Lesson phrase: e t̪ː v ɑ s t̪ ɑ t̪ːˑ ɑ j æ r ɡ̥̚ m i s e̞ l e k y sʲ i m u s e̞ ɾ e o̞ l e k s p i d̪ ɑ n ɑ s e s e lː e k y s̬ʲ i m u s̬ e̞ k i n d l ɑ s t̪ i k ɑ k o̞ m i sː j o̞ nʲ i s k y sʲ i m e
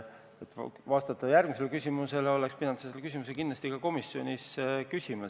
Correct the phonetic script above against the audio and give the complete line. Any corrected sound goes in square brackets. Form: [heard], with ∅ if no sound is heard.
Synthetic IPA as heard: e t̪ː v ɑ s t̪ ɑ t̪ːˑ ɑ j æ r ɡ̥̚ m i s e̞ l e k y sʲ i m u s e̞ [l] e o̞ l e k s p i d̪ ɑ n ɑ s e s e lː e k y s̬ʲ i m u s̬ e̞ k i n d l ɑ s t̪ i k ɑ k o̞ m i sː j o̞ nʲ i s k y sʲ i m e